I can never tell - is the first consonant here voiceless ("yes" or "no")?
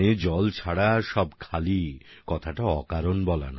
no